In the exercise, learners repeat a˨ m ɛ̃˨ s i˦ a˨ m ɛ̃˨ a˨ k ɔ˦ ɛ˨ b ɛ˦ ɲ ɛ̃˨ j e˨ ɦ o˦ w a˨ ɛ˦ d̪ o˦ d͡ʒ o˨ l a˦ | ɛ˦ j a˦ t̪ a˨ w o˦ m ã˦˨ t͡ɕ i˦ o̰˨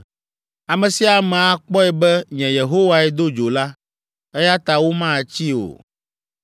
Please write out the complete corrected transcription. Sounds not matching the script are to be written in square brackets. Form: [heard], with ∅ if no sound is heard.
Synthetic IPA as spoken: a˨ m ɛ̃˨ s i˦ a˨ m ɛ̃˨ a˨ [k͡p] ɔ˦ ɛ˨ b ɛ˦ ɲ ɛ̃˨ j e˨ ɦ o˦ w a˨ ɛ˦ d̪ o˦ d͡ʒ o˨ l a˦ | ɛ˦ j a˦ t̪ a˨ w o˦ m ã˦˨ t͡ɕ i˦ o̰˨